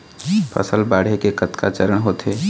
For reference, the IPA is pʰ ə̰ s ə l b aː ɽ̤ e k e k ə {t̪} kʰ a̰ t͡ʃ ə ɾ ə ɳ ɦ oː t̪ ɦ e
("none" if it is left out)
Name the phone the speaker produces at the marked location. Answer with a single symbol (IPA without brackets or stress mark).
t̪